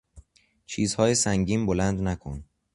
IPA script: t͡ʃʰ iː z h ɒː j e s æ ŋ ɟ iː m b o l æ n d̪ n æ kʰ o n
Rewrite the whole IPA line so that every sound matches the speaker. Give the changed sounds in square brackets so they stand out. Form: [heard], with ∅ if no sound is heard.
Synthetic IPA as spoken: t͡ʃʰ iː z h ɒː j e s æ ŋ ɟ iː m b o l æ n d̪ n æ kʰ o n